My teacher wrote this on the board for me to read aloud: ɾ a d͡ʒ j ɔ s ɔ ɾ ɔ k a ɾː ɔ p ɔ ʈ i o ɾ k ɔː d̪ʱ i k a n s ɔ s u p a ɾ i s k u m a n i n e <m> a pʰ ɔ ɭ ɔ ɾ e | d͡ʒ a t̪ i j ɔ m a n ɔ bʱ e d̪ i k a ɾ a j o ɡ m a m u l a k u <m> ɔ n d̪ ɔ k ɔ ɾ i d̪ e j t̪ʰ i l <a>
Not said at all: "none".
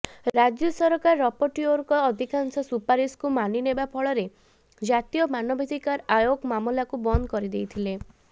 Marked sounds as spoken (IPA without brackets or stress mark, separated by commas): b, b, e